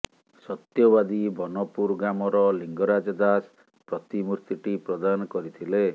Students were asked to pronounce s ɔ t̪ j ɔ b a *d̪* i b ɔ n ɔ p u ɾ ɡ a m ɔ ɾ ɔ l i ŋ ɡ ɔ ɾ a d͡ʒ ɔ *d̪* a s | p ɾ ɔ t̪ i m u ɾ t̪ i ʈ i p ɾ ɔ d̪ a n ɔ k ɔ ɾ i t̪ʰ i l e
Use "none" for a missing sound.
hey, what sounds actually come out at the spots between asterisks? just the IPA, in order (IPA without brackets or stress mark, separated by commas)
d̪, d̪